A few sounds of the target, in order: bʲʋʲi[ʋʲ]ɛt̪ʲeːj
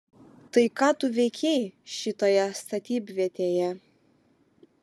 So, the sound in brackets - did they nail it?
no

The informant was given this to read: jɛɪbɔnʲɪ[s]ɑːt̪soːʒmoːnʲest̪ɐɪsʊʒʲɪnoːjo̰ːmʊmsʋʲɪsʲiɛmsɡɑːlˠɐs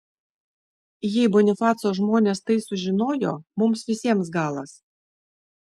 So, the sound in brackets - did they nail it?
no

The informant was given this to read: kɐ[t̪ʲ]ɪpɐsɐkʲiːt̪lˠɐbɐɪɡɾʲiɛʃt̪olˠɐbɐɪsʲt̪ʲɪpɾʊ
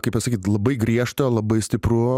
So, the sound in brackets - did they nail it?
no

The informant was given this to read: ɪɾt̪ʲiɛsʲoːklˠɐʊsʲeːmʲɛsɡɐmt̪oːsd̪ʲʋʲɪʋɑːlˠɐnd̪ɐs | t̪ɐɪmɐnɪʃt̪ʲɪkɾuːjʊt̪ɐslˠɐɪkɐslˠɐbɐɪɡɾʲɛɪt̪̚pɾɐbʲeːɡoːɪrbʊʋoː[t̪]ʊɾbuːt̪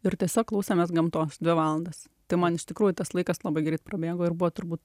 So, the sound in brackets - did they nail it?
yes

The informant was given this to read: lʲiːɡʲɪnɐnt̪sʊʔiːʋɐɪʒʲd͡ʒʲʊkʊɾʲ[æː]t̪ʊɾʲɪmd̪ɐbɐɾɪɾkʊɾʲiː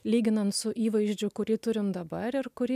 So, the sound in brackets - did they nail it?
no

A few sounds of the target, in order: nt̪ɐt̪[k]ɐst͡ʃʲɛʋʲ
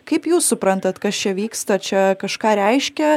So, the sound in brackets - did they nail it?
yes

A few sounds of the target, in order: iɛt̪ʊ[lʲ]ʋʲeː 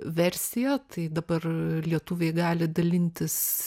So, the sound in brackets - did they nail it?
no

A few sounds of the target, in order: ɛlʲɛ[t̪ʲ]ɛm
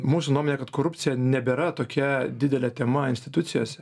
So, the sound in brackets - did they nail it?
yes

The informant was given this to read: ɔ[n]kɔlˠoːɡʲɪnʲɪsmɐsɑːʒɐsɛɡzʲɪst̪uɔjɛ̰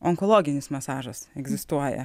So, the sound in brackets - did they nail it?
no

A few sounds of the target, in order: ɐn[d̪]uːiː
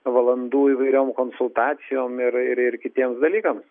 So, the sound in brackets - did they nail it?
yes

